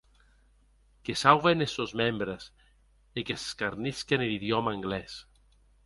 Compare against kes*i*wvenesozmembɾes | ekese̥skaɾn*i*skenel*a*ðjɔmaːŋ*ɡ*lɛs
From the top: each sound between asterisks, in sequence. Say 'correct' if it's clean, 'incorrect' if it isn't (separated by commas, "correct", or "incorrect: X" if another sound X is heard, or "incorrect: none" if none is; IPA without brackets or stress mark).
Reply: incorrect: a, correct, incorrect: i, correct